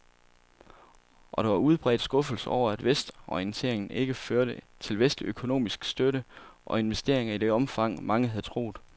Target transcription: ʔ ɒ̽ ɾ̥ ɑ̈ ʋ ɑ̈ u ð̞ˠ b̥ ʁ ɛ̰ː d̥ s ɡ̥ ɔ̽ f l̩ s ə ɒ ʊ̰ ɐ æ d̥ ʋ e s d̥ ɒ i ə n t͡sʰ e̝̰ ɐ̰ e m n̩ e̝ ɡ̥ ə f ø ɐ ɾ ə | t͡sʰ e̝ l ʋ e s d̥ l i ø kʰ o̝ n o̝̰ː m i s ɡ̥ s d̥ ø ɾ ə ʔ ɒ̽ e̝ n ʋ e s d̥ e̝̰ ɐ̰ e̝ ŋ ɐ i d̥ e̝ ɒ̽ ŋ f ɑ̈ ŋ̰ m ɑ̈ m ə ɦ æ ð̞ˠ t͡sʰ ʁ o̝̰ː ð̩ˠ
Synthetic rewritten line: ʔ ɒ̽ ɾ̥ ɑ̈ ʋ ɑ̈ u ð̞ˠ b̥ ʁ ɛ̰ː d̥ s ɡ̥ ɔ̽ f l̩ s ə ɒ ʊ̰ ɐ æ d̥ ʋ e s d̥ ɒ i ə n t͡sʰ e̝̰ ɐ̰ e ŋ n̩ e̝ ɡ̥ ə f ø ɐ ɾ ə | t͡sʰ e̝ l ʋ e s d̥ l i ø kʰ o̝ n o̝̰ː m i s ɡ̥ s d̥ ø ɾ ə ʔ ɒ̽ e̝ n ʋ e s d̥ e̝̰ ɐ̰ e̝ ŋ ɐ i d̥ e̝ ɒ̽ m f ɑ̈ ŋ̰ m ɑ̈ ŋ ə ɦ æ ð̞ˠ t͡sʰ ʁ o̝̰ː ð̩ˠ